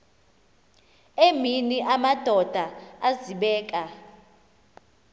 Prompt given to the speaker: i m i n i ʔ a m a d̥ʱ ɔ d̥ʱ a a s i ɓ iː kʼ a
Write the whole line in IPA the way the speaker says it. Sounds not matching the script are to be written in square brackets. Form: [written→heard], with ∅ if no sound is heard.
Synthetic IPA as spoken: [i→e] m i n i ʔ a m a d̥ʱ ɔ d̥ʱ a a [s→z] i ɓ [iː→ɛː] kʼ a